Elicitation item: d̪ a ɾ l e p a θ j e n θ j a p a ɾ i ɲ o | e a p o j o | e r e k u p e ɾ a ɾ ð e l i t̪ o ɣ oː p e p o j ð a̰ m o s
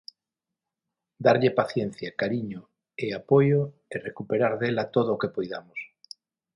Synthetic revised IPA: d̪ a ɾ ʎ e p a θ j e n θ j a k a ɾ i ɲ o | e a p o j o | e r e k u p e ɾ a ɾ ð e l a t̪ o ð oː k e p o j ð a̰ m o s